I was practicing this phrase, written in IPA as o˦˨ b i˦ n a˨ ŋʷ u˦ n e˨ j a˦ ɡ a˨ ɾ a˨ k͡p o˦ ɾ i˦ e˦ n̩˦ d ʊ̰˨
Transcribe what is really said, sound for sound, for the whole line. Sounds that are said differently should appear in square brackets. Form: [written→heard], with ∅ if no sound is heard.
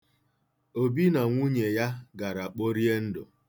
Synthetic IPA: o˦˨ b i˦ n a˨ ŋʷ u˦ [n→ɲ] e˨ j a˦ ɡ a˨ ɾ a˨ k͡p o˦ ɾ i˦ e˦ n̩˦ d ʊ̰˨